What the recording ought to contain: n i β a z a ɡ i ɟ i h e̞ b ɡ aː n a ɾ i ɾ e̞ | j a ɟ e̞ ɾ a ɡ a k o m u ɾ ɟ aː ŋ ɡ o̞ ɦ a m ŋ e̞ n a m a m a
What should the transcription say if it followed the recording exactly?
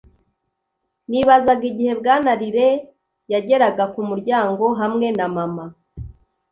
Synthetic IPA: n i β a z a ɡ i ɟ i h e̞ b ɡ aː n a ɾ i ɾ e̞ | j a ɟ e̞ ɾ a ɡ a k u m u ɾ ɟ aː ŋ ɡ o̞ ɦ a m ŋ e̞ n a m a m a